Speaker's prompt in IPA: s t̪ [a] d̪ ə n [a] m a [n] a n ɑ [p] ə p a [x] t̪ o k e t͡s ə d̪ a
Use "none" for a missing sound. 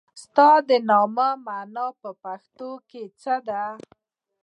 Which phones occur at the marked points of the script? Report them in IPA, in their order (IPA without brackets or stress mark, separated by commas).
ɑ, ɑ, m, p, x